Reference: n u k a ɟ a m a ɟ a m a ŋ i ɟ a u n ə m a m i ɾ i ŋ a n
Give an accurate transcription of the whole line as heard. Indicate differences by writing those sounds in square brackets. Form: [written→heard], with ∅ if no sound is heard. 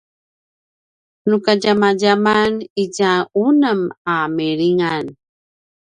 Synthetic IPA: n u k a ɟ a m a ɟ a m a [ŋ→n] i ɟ a u n ə m a m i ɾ i ŋ a n